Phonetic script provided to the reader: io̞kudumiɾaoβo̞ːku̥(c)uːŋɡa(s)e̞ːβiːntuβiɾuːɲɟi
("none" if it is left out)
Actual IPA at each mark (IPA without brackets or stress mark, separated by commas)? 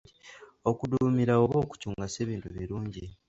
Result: c, s